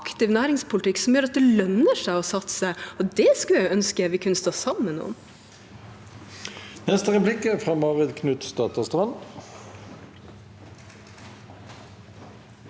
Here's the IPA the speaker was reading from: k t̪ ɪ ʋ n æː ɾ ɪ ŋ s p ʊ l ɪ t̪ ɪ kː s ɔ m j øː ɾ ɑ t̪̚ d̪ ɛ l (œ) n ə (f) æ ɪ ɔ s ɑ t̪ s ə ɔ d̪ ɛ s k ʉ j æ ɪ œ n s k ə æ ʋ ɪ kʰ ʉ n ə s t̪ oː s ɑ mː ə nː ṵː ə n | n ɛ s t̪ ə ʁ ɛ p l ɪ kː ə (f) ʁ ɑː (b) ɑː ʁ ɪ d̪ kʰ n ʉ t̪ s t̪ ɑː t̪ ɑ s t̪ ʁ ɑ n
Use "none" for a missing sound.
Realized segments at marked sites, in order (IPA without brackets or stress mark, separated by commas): œ, ʂ, f, m